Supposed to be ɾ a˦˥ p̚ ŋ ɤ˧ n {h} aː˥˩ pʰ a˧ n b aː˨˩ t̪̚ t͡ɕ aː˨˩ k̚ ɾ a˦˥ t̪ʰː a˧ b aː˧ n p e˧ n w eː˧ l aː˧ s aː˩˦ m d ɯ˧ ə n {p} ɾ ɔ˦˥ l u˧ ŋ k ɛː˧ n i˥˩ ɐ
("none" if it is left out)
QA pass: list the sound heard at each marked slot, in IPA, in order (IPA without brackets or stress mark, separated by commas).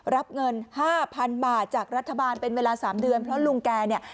h, pʰ